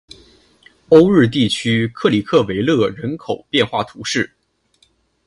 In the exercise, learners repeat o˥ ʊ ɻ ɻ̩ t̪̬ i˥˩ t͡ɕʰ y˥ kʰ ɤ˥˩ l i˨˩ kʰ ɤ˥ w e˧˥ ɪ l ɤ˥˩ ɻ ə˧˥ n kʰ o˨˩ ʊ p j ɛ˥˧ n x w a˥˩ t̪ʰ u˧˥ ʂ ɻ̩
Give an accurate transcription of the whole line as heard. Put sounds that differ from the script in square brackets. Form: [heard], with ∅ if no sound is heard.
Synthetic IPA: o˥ ʊ ɻ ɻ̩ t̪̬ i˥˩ t͡ɕʰ y˥ kʰ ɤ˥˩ l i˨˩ kʰ [ɤ˥˩] w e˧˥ ɪ l ɤ˥˩ ɻ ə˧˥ n kʰ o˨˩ ʊ p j ɛ˥˧ n x w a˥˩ t̪ʰ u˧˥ ʂ ɻ̩